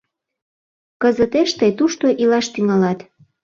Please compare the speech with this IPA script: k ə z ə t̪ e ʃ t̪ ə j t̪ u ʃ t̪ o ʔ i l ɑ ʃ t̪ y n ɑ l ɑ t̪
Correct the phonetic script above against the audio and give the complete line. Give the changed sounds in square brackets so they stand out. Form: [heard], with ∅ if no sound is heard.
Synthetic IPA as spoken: k ə z ə t̪ e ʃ t̪ ə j t̪ u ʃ t̪ o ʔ i l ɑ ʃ t̪ y [ŋ] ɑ l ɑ t̪